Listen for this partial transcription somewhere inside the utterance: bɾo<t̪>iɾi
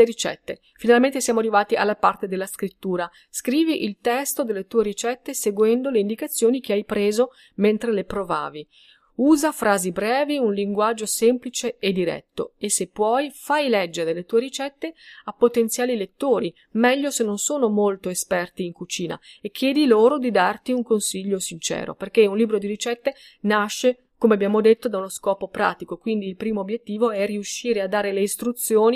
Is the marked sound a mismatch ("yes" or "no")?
yes